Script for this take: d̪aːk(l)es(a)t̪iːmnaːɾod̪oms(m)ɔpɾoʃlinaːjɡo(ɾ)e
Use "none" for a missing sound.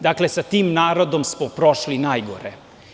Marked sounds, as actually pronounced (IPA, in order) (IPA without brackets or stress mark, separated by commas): l, a, m, ɾ